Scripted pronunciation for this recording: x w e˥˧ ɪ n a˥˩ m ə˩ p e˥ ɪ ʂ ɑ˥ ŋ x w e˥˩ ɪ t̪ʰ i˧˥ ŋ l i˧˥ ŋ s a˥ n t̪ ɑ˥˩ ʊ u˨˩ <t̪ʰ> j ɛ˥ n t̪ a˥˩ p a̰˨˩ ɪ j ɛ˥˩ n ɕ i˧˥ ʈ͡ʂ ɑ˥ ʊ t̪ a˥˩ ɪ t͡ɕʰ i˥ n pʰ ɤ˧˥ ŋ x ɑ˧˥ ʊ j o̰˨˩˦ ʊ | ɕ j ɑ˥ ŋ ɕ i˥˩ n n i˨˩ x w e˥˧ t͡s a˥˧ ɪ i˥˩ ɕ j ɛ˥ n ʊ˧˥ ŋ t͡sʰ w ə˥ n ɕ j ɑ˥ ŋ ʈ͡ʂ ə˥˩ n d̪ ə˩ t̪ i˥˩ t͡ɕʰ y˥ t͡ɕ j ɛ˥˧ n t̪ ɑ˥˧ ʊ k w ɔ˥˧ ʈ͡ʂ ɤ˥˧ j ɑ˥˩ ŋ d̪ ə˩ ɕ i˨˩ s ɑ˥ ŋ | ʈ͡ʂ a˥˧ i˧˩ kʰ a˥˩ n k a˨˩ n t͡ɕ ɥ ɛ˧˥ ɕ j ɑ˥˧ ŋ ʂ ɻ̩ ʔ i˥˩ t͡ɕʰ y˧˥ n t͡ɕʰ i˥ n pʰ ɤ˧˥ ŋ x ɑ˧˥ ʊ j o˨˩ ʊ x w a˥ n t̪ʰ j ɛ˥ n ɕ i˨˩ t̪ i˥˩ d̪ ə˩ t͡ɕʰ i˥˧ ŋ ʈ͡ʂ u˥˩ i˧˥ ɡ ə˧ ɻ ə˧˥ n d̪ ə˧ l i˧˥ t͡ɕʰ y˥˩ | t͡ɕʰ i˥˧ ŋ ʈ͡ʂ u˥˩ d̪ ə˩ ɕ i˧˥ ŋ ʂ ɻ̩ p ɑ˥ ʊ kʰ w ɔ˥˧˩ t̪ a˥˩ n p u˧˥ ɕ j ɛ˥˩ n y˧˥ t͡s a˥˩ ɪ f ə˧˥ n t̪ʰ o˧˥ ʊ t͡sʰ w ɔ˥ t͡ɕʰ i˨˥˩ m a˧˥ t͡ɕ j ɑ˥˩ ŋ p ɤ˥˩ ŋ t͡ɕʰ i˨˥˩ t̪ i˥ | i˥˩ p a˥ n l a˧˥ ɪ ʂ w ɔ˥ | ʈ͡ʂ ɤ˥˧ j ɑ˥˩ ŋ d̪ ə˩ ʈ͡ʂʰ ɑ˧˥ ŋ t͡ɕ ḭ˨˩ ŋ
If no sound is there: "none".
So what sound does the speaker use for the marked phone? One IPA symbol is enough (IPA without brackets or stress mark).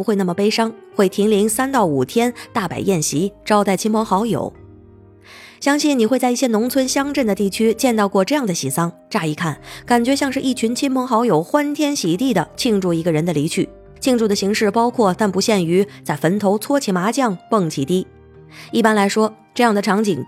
t̪ʰ